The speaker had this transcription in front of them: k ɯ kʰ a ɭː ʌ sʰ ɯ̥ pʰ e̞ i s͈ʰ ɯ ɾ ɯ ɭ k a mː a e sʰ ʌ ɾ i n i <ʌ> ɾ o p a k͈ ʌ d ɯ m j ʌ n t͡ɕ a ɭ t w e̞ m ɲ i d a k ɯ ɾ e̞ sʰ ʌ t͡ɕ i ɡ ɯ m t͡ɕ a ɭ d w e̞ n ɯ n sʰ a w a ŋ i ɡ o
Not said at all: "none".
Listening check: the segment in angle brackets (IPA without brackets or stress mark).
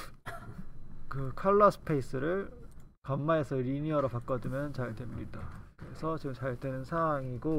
ʌ